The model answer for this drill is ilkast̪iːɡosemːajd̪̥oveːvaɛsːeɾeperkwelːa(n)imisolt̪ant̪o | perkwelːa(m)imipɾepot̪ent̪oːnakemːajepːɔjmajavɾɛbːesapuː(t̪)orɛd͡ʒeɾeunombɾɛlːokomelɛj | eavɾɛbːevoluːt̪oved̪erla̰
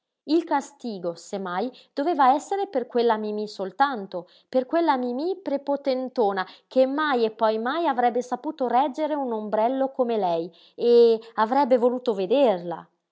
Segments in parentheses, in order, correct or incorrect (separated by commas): incorrect, correct, correct